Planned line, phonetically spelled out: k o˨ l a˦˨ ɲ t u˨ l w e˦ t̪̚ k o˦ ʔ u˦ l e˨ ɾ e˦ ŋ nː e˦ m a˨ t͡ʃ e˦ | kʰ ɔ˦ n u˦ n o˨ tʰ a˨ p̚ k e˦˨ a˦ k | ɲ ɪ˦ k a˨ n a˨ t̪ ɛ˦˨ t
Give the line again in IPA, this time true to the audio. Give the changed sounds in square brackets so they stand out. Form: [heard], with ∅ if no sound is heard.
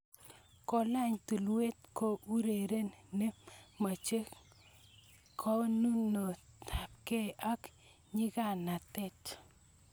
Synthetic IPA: k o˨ l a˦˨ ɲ t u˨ l w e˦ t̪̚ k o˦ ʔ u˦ [ɾ] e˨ ɾ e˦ [n] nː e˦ m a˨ t͡ʃ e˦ | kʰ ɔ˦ n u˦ n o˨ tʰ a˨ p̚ k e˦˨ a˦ k | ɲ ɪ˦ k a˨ n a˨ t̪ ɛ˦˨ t